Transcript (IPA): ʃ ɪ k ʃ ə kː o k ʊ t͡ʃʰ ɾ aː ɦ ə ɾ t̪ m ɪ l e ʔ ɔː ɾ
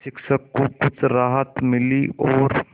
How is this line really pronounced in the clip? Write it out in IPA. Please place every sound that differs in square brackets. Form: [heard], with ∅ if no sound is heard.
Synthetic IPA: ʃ ɪ k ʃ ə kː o k ʊ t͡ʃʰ ɾ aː ɦ ə [∅] t̪ m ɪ l [i] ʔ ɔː ɾ